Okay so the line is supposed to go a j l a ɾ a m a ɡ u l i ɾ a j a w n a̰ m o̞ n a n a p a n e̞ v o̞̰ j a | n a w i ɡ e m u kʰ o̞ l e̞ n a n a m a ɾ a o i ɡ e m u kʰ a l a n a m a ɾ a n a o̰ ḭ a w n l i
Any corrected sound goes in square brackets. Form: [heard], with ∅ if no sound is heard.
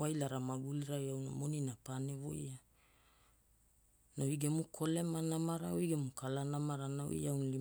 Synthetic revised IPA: a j l a ɾ a m a ɡ u l i ɾ a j a w n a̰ m o̞ n [i] n a p a n e̞ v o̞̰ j a | n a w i ɡ e m u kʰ o̞ l e̞ [m] a n a m a ɾ a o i ɡ e m u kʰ a l a n a m a ɾ a n a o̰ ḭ a w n l i

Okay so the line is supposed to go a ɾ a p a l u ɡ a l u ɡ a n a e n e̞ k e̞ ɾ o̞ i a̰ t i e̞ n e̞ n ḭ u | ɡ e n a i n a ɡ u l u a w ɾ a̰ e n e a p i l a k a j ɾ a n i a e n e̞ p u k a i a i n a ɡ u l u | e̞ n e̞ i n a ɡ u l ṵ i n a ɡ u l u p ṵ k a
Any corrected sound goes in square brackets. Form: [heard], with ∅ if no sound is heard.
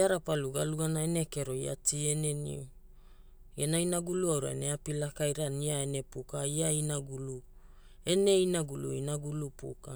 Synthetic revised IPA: a ɾ a p a l u ɡ a l u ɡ a n a e n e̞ k e̞ ɾ o̞ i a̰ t i e̞ n e̞ n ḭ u | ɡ e n a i n a ɡ u l u a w ɾ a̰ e n e a p i l a k a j ɾ a n i a e n e̞ p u k a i a i n a ɡ u l u | e̞ n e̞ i n a ɡ u l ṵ i n a ɡ u l u p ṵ k a

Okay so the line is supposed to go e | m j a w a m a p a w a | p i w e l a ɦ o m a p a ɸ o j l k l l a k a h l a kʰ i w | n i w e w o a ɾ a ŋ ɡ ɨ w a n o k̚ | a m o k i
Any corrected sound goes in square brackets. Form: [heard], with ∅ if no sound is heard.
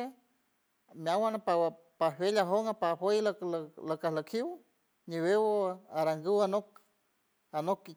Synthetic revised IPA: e | m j a w a [n] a p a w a | p [a] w e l a ɦ o [ŋ] a p a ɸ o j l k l l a k a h l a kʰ i w | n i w e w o a ɾ a ŋ ɡ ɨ w a n o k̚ | a [n] o k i

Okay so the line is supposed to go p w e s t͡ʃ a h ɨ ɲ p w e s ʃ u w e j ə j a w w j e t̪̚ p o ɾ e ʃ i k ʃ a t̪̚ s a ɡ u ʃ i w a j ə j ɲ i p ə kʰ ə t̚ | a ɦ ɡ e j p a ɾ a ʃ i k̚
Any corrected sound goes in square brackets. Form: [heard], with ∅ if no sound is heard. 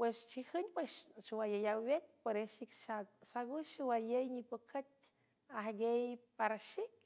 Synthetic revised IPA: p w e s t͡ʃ [i] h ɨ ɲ p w e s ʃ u w [a] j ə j a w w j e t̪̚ p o ɾ e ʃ i k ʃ a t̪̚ s a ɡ u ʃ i w a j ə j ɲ i p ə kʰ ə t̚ | a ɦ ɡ e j p a ɾ a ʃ i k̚

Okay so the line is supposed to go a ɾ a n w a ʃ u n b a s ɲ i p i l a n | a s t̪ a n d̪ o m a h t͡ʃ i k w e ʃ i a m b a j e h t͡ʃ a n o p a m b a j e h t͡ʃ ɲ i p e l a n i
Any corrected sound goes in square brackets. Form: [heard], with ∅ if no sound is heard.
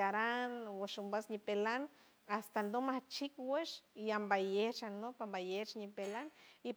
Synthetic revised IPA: a ɾ a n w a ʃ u [m] b a s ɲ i p [e] l a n | a s t̪ a n d̪ o m a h t͡ʃ i k w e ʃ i a m b a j e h t͡ʃ a n o p a m b a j e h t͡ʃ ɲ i p e l a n i

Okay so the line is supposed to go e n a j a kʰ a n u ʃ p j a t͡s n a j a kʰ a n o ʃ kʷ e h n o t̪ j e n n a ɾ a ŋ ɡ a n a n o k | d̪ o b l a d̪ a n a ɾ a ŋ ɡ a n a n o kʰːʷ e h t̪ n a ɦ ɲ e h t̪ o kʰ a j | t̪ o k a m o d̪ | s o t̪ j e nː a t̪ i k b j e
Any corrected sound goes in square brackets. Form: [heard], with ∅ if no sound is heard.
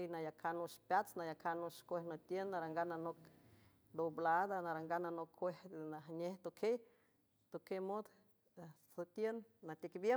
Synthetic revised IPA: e n a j a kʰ a n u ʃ p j a t͡s n a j a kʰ a n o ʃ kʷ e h n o t̪ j e n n a ɾ a ŋ ɡ a n a n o k | d̪ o b l a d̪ a n a ɾ a ŋ ɡ a n a n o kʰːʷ e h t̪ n a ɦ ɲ e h t̪ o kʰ [e] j | t̪ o k [e] m o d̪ | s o t̪ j e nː a t̪ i k b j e

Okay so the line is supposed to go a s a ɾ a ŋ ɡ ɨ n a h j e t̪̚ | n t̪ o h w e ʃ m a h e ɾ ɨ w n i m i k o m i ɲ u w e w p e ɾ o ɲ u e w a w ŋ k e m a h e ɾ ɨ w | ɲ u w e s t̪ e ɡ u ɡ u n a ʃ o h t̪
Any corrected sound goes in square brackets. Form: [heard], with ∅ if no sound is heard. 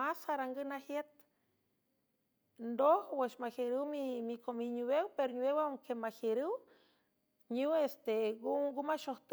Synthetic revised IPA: a s a ɾ a ŋ ɡ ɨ n a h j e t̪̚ | n [d̪] o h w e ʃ m a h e ɾ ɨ w [m] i m i k o m i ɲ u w e w p e ɾ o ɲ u e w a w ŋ k e m a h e ɾ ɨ w | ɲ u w e s t̪ e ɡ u ɡ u [m] a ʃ o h t̪

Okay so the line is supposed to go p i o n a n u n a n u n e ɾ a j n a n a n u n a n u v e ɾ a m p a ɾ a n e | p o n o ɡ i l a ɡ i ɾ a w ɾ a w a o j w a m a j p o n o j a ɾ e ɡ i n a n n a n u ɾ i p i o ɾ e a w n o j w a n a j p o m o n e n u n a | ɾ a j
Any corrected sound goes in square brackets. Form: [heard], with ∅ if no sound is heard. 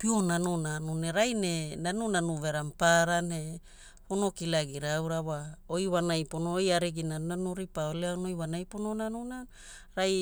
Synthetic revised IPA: p i o n a n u n a n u n e ɾ a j n [e] n a n u n a n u v e ɾ a m p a ɾ a n e | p o n o [k] i l a ɡ i ɾ a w ɾ a w a o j w a [n] a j p o n o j a ɾ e ɡ i n a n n a n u ɾ i p [a] o [l] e a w n o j w a n a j p o [n] o n [a] n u n a | ɾ a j

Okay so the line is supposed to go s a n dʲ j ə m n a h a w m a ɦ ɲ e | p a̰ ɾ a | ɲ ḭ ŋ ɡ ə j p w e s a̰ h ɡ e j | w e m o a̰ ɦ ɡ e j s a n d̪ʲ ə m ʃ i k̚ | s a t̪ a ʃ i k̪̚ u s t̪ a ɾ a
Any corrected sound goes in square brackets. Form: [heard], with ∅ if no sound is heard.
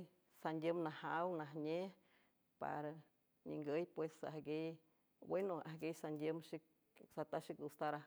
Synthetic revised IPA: s a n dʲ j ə m n a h a w [n] a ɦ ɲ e | p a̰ ɾ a | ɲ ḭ ŋ ɡ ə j p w e s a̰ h ɡ e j | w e [n] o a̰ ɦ ɡ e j s a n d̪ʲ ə m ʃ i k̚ | s a t̪ a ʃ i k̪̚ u s t̪ a ɾ a

